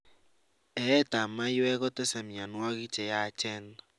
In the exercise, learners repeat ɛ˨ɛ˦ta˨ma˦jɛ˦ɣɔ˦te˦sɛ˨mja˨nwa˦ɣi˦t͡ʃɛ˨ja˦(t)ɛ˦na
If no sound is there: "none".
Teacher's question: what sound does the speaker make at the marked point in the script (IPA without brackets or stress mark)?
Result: t͡ʃ